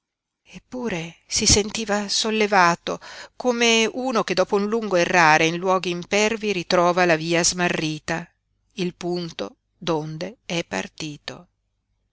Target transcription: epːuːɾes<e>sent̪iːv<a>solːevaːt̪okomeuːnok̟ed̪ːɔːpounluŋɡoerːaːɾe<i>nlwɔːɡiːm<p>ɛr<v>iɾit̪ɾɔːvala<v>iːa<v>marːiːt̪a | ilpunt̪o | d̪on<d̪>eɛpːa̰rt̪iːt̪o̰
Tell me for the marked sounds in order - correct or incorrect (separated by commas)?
incorrect, correct, correct, correct, correct, correct, incorrect, correct